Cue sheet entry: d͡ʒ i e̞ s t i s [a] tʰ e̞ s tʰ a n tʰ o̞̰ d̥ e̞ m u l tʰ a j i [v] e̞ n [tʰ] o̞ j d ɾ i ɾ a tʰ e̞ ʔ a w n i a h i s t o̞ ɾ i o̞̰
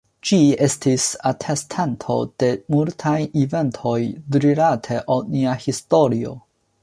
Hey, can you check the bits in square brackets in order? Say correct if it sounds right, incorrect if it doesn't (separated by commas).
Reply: correct, correct, correct